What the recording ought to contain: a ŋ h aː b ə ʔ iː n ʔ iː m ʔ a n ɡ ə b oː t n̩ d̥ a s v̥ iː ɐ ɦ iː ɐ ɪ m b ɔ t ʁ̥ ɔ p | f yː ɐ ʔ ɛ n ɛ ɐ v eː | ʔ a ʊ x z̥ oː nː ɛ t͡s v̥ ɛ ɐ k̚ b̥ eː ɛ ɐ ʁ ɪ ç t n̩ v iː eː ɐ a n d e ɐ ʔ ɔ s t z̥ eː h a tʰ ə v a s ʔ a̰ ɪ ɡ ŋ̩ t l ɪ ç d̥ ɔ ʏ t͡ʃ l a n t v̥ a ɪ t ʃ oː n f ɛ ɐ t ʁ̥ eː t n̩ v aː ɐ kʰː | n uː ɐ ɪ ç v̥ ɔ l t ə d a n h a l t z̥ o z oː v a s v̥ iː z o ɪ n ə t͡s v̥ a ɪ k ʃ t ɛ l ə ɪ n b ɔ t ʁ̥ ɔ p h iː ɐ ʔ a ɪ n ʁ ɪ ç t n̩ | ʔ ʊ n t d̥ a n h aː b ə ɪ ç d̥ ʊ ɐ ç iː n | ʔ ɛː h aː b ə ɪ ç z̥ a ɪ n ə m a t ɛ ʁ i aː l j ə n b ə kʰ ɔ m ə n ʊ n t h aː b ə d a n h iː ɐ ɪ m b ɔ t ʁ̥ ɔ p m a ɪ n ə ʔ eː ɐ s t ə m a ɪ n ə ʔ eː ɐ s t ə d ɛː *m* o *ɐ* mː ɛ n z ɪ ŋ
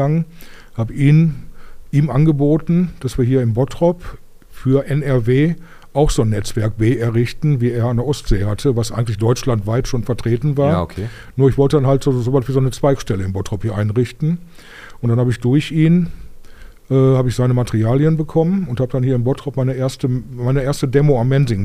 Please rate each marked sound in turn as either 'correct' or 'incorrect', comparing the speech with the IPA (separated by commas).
correct, incorrect